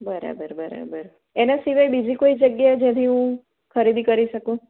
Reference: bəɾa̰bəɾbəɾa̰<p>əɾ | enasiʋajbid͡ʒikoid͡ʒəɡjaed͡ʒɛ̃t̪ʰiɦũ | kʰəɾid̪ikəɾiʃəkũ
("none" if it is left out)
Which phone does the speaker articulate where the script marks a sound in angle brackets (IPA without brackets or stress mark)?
b